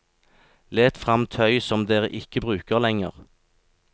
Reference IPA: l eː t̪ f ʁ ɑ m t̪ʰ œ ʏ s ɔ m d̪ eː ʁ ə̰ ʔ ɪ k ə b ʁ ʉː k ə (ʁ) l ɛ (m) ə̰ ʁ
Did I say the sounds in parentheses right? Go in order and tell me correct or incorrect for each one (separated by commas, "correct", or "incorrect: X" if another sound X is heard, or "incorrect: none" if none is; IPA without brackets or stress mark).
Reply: correct, incorrect: ŋ